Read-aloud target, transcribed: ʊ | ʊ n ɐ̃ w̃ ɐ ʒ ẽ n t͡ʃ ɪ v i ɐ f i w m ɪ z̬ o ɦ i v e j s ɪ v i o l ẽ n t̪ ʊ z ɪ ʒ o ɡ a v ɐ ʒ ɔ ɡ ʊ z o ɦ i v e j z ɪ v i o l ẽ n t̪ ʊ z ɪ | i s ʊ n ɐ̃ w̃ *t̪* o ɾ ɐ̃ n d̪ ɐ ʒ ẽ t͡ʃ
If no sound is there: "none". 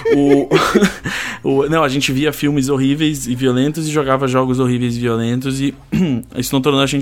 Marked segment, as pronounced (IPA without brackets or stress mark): t̪